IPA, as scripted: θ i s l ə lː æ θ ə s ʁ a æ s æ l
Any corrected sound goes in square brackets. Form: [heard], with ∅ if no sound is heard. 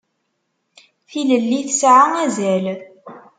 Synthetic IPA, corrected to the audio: θ i [∅] l ə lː [i] θ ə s [ʕ] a æ [z] æ l